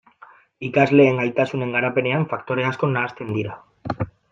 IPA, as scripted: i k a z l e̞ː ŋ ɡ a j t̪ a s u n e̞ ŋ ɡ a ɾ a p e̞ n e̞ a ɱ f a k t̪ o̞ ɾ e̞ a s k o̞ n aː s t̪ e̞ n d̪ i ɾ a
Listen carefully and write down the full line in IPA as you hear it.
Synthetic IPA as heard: i k a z l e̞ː ŋ ɡ a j t̪ a s u n e̞ ŋ ɡ a ɾ a p e̞ n e̞ a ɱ f a k t̪ o̞ ɾ e̞ a s k o̞ n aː s t̪ e̞ n d̪ i ɾ a

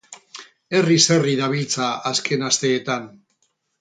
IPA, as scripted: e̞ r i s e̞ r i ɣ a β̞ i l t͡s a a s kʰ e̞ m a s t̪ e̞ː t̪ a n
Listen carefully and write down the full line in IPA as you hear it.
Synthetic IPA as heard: e̞ r i s e̞ r i ð a β̞ i l t͡s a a s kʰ e̞ n a s t̪ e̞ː t̪ a n

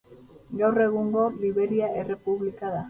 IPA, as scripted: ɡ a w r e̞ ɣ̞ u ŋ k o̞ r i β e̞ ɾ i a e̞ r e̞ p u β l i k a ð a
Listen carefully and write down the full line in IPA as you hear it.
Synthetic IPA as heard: ɡ a w r e̞ ɣ̞ u ŋ ɡ o̞ l i β e̞ ɾ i a e̞ r e̞ p u β l i k a ð a

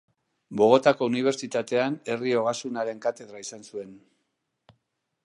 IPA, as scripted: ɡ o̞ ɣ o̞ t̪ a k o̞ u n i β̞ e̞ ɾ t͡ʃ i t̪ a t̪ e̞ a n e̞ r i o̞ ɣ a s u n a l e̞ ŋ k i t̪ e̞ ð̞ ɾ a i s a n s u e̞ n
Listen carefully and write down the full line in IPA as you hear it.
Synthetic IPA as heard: b o̞ ɣ o̞ t̪ a k o̞ u n i β̞ e̞ ɾ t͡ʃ i t̪ a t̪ e̞ a n e̞ r i o̞ ɣ a s u n a ɾ e̞ ŋ k a t̪ e̞ ð̞ ɾ a i s a n s u e̞ n

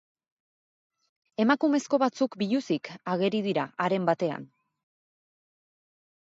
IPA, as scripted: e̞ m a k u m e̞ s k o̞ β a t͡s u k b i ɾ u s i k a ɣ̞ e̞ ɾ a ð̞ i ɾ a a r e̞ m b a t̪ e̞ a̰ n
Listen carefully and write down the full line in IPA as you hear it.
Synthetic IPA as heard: e̞ m a k u m e̞ s k o̞ β a t͡s u k b i ʎ u s i k a ɣ̞ e̞ ɾ i ð̞ i ɾ a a ɾ e̞ m b a t̪ e̞ a̰ n

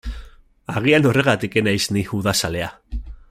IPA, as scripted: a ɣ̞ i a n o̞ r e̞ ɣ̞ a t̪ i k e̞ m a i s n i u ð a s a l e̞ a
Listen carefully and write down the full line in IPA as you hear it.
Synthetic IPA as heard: a ɣ̞ i a n o̞ r e̞ ɣ̞ a t̪ i k e̞ n a j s n i u ð a s a l e̞ a

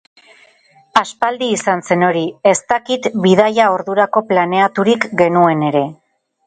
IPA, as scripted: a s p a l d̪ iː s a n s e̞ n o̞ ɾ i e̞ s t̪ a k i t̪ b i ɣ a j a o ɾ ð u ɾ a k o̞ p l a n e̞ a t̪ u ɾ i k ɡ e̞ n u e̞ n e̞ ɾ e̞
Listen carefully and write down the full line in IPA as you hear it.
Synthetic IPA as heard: a s p a l d̪ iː s a n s e̞ n o̞ ɾ i e̞ s t̪ a k i t̪ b i ð a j a o ɾ ð u ɾ a k o̞ p l a n e̞ a t̪ u ɾ i k ɡ e̞ n u e̞ n e̞ ɾ e̞

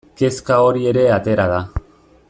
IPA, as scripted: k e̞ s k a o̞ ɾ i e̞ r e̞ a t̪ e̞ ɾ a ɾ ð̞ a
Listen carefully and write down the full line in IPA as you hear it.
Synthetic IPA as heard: k e̞ s k a o̞ ɾ i e̞ ɾ e̞ a t̪ e̞ ɾ a ð̞ a

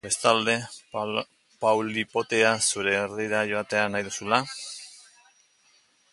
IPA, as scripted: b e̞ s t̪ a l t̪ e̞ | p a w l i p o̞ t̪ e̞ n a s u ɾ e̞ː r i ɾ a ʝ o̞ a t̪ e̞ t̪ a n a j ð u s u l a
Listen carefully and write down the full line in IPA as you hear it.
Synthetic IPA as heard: b e̞ s t̪ a l d̪ e̞ | p a w l i p o̞ t̪ e̞ a s u ɾ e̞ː r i ɾ a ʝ o̞ a t̪ e̞ a n a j ð u s u l a

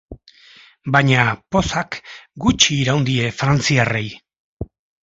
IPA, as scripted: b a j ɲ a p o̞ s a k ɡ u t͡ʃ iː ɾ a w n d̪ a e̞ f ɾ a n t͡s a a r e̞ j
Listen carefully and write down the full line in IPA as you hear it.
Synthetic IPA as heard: b a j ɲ a p o̞ s a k ɡ u t͡ʃ iː ɾ a w n d̪ i e̞ f ɾ a n t͡s i a r e̞ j

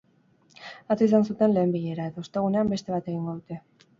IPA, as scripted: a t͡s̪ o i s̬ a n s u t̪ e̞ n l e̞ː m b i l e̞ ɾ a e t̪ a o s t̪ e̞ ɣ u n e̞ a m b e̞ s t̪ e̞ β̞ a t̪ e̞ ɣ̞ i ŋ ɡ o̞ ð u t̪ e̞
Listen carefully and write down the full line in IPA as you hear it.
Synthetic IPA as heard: a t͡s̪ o i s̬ a n s u t̪ e̞ n l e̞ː m b i ʎ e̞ ɾ a e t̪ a o s t̪ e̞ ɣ u n e̞ a m b e̞ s t̪ e̞ β̞ a t̪ e̞ ɣ̞ i ŋ ɡ o̞ ð u t̪ e̞

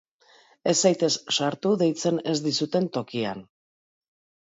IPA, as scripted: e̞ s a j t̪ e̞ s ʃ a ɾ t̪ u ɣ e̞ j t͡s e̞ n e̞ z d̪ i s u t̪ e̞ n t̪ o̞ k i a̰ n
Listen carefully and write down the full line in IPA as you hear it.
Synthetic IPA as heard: e̞ s a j t̪ e̞ s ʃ a ɾ t̪ u ð e̞ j t͡s e̞ n e̞ z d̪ i s u t̪ e̞ n t̪ o̞ k i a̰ n

